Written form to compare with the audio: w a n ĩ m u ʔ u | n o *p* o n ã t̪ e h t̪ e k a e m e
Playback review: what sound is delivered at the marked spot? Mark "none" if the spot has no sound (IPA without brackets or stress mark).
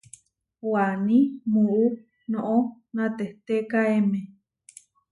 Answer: ʔ